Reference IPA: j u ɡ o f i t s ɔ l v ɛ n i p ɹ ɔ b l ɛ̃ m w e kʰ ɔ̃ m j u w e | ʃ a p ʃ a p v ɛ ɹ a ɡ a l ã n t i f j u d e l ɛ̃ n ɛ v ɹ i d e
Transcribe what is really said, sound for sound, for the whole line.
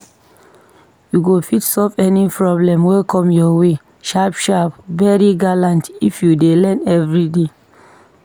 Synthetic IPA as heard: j u ɡ o f i t s ɔ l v ɛ n i p ɹ ɔ b l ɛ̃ m w e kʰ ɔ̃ m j ɔ w e | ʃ a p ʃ a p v ɛ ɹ i ɡ a l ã n t i f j u d e l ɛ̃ n ɛ v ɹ i d e